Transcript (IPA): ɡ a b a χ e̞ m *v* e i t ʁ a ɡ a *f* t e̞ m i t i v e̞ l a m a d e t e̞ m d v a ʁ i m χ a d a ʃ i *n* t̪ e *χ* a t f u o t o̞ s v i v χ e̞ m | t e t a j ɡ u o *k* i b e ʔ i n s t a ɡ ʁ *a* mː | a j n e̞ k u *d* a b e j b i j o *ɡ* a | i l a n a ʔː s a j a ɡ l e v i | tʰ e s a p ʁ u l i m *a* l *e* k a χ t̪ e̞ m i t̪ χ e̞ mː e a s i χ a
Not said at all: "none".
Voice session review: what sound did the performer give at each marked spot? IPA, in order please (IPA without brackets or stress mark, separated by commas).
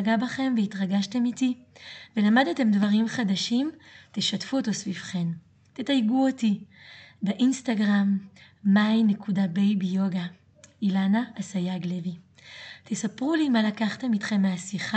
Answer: v, ʃ, m, ʃ, t, a, d, ɡ, a, a